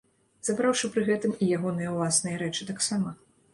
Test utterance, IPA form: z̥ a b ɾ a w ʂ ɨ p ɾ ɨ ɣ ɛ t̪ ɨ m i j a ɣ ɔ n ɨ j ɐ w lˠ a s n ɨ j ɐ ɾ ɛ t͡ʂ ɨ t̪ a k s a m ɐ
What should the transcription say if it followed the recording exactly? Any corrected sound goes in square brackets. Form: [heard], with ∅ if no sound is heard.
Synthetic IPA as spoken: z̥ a b ɾ a w ʂ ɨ p ɾ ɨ ɣ ɛ t̪ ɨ m i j a ɣ ɔ n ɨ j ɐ w lˠ a s n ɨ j ɐ ɾ ɛ t͡ʂ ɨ t̪ a k s a m ɐ